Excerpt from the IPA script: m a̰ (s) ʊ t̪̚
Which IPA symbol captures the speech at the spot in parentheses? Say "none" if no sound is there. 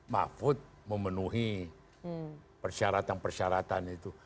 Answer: f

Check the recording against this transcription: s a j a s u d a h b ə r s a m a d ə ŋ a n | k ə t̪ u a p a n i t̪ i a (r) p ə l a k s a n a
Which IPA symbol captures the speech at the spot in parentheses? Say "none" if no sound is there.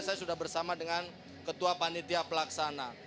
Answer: none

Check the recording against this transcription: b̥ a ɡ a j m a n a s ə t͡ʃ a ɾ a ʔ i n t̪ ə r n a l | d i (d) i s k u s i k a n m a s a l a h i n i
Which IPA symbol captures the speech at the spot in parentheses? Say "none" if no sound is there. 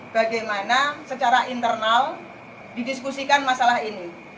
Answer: d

